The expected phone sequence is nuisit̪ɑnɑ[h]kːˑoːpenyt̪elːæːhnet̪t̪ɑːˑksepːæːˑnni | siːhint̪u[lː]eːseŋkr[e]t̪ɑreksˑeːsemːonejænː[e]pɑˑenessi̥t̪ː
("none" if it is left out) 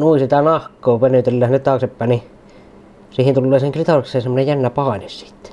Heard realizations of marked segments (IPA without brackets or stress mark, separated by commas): h, lː, i, æ